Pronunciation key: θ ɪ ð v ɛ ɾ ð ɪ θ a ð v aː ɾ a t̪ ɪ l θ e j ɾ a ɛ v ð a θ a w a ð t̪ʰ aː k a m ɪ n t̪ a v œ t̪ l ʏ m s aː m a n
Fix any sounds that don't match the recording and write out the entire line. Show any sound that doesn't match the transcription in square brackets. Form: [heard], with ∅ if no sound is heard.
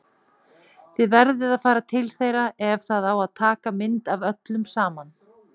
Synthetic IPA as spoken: θ ɪ ð v ɛ ɾ ð ɪ [ð] a ð [f] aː ɾ a [t̪ʰ] ɪ l θ e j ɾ a ɛ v [θ] a [ð] a w a ð t̪ʰ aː k a m ɪ n t̪ a v œ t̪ l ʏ m s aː m a n